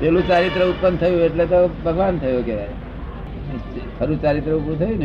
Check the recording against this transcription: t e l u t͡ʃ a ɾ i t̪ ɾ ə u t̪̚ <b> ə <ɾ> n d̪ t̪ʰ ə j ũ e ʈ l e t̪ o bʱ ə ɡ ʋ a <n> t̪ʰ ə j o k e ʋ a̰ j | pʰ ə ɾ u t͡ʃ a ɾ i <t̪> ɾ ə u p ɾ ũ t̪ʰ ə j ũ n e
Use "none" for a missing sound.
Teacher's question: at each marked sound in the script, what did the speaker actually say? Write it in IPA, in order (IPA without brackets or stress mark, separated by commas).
p, none, n, t̪